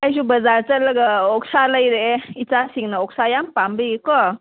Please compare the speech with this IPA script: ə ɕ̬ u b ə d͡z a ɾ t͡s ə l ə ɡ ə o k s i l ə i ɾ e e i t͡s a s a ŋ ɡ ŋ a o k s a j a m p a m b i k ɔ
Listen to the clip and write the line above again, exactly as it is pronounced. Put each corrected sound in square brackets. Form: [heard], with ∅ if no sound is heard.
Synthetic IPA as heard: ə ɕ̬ u b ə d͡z a ɾ t͡s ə l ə ɡ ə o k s [a] l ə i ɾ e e i t͡s a s [i] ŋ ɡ [n] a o k s a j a m p a m b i k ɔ